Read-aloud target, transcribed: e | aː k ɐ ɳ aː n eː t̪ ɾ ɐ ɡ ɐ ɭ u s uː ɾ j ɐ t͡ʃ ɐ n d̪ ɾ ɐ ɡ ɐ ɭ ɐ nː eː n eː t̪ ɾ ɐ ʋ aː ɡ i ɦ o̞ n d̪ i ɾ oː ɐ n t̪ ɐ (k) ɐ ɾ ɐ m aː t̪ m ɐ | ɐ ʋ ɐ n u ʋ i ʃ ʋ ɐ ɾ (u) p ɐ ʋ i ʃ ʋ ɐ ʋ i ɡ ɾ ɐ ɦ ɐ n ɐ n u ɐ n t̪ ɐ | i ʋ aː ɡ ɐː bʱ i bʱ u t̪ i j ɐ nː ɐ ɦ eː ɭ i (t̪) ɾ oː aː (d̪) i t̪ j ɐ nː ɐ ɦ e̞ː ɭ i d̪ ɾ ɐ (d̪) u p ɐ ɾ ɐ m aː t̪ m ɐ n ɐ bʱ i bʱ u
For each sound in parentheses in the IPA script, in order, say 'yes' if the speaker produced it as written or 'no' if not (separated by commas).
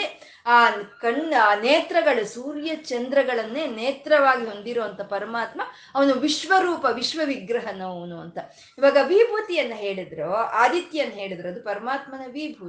no, no, no, yes, yes